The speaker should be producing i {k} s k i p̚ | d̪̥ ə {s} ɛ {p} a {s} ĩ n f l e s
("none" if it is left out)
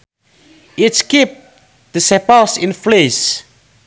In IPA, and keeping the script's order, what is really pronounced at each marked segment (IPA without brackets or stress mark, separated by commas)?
t, s, p, s